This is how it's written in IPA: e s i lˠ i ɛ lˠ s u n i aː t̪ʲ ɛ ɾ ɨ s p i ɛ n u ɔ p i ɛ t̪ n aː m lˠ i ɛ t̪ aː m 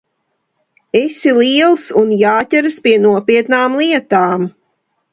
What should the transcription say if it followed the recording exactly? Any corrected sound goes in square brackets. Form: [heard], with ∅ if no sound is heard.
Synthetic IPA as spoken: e s i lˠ i ɛ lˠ s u n [j] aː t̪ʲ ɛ ɾ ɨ s p i ɛ n u ɔ p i ɛ t̪ n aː m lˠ i ɛ t̪ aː m